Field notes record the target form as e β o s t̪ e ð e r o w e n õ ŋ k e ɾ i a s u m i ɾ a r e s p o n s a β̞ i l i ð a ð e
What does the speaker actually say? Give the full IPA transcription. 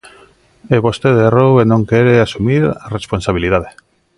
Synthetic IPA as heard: e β o s t̪ e ð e r o w e n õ ŋ k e ɾ e a s u m i ɾ a r e s p o n s a β̞ i l i ð a ð e